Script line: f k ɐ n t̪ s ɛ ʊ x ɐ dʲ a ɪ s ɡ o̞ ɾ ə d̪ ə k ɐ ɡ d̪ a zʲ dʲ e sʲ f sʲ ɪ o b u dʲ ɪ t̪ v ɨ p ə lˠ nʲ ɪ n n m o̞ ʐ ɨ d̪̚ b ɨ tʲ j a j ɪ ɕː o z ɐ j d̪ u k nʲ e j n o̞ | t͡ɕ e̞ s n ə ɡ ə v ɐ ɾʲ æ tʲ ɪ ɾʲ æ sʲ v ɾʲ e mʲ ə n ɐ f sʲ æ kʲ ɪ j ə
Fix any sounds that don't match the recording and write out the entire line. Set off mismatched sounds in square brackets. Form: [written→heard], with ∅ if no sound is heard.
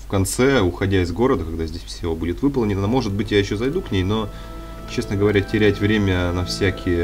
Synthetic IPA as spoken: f k ɐ n t̪ s ɛ ʊ x ɐ dʲ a ɪ [s→z] ɡ o̞ ɾ ə d̪ ə k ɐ ɡ d̪ a zʲ dʲ e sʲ f sʲ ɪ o b u dʲ ɪ t̪ v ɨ p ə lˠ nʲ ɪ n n m o̞ ʐ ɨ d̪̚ b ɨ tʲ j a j ɪ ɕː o z ɐ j d̪ u k nʲ e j n o̞ | t͡ɕ e̞ s n ə ɡ ə v ɐ ɾʲ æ tʲ ɪ ɾʲ æ [sʲ→tʲ] v ɾʲ e mʲ ə n ɐ f sʲ æ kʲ ɪ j ə